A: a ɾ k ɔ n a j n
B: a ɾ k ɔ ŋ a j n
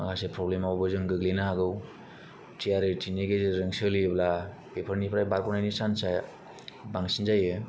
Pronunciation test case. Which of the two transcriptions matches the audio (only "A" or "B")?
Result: A